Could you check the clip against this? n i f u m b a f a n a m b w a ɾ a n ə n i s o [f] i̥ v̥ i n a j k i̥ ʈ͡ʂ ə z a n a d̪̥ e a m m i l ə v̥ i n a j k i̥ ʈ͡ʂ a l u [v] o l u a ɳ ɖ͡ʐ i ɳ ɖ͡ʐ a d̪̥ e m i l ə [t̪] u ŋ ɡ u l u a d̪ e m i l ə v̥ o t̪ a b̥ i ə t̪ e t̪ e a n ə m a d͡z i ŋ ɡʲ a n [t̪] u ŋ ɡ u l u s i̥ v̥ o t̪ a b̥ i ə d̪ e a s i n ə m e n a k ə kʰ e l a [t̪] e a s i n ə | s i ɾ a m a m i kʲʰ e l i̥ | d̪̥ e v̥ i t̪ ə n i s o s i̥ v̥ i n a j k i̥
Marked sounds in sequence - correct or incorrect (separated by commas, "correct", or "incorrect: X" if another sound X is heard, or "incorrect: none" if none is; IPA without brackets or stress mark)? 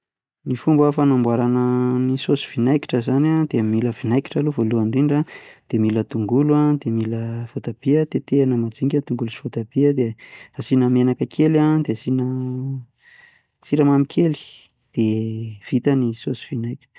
incorrect: s, correct, correct, correct, incorrect: d̪